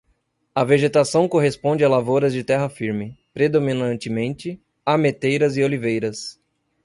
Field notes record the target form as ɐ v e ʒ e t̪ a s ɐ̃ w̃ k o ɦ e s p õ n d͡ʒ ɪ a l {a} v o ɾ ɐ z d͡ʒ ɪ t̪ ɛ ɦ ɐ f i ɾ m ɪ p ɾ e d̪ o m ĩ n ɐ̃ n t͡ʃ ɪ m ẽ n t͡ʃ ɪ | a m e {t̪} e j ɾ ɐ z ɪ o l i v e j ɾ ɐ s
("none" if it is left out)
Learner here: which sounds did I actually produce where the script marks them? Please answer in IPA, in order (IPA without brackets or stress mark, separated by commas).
a, t̪